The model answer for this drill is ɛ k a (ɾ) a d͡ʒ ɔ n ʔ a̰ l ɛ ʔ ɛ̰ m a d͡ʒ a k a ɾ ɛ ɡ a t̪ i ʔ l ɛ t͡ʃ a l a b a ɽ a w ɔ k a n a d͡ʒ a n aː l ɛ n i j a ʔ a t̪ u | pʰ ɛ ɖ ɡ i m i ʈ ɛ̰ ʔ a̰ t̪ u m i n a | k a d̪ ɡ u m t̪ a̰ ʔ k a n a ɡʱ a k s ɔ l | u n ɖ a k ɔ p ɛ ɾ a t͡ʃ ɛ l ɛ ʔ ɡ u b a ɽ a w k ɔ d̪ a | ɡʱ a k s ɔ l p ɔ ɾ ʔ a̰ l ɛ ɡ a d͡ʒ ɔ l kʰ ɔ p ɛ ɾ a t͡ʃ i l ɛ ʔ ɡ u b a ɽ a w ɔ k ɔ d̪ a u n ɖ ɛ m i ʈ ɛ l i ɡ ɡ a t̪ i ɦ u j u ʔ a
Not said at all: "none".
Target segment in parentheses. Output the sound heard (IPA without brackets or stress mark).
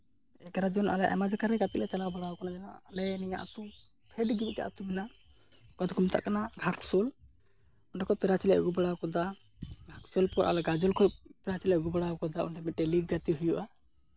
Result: ɾ